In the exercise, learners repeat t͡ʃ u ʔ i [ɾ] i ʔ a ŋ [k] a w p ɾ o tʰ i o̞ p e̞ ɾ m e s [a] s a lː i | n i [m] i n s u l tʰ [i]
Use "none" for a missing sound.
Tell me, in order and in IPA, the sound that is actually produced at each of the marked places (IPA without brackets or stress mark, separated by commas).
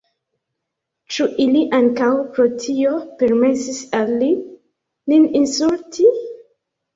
l, k, i, n, i